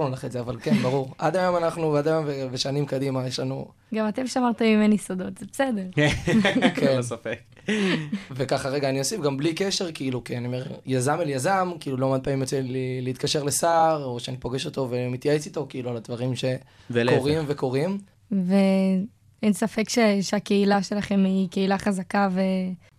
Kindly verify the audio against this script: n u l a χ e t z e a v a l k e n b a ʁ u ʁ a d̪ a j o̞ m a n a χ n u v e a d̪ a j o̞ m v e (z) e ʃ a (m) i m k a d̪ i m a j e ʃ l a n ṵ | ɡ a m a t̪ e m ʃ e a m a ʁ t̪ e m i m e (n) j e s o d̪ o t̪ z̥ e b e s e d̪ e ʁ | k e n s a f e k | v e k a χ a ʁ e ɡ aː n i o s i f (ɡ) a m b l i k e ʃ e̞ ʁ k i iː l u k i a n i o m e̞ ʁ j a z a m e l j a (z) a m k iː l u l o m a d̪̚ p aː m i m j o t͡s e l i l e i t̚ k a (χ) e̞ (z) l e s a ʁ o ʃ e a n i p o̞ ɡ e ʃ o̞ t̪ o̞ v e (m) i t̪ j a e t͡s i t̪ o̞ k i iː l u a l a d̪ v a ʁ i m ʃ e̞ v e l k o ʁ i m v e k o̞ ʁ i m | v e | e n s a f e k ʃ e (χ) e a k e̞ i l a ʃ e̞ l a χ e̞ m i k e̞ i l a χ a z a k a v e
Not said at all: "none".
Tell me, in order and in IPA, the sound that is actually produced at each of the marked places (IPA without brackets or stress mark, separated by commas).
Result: v, n, n, ɡ, z, ʃ, ʁ, m, ʃ